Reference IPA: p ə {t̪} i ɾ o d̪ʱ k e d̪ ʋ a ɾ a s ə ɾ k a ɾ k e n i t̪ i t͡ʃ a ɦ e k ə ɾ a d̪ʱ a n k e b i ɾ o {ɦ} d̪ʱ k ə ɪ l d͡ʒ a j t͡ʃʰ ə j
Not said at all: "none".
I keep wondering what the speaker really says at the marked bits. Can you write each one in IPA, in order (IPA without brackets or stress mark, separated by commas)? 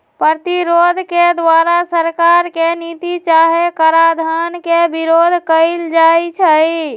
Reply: t̪, none